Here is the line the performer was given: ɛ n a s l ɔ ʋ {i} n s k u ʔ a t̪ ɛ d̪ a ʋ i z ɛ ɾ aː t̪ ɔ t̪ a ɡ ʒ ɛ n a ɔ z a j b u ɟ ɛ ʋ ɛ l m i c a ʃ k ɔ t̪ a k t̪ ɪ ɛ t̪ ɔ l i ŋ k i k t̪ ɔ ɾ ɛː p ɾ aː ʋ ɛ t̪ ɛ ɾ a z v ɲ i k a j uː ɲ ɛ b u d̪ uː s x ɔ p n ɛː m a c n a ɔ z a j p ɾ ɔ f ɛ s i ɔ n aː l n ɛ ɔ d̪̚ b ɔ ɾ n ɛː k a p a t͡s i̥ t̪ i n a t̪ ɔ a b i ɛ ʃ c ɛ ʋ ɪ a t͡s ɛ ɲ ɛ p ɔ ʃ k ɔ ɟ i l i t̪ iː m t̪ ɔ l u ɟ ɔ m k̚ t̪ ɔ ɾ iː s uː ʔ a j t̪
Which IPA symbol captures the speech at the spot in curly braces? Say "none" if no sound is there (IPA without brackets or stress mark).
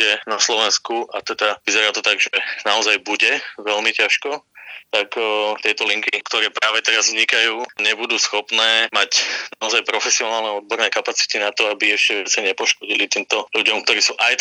ɛ